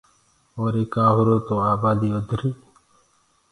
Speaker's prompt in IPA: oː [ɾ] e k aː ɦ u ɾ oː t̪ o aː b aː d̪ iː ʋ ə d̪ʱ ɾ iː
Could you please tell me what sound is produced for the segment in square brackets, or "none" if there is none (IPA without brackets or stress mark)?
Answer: ɾ